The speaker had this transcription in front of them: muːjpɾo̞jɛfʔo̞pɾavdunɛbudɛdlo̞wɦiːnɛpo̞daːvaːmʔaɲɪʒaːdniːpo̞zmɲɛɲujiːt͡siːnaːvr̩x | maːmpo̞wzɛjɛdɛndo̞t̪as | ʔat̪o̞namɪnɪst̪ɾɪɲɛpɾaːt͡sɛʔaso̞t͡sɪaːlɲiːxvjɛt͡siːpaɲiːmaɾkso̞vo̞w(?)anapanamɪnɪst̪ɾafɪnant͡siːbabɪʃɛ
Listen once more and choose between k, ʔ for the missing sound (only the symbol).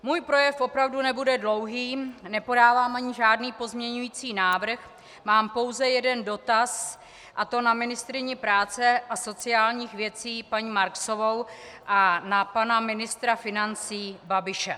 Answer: ʔ